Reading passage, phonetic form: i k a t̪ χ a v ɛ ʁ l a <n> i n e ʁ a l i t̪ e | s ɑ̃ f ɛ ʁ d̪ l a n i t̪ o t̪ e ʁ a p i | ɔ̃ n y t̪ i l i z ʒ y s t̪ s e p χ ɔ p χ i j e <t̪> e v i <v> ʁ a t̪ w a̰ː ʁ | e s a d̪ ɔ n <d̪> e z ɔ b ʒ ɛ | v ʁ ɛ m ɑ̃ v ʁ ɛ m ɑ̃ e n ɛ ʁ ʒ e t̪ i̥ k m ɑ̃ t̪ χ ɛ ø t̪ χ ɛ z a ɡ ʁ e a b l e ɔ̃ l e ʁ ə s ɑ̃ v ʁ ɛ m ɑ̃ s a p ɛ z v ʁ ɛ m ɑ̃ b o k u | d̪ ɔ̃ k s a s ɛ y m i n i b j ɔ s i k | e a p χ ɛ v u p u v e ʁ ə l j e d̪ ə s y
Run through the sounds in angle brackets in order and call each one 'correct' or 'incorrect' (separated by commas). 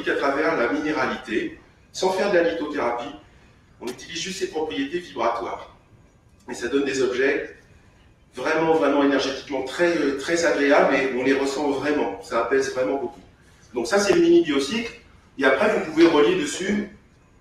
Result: incorrect, correct, incorrect, correct